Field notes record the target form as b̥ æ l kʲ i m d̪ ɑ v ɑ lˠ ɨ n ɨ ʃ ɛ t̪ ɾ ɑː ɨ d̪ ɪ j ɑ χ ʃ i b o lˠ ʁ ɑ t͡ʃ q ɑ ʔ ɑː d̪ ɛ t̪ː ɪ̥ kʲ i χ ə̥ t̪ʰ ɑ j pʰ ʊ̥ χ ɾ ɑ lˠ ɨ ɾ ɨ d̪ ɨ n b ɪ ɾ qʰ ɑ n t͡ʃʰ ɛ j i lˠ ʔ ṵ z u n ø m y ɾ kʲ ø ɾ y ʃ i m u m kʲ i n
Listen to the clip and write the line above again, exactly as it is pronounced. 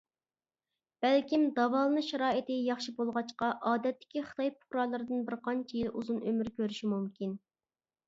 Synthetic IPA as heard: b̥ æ l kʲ i m d̪ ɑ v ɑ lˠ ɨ n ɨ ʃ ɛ ɾ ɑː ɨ t̪ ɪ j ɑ χ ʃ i b o lˠ ʁ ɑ t͡ʃ q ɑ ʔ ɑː d̪ ɛ t̪ː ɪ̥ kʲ i χ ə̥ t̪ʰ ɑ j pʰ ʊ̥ χ ɾ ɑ lˠ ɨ ɾ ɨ d̪ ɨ n b ɪ ɾ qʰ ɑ n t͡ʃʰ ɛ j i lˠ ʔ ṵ z u n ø m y ɾ kʲ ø ɾ y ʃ i m u m kʲ i n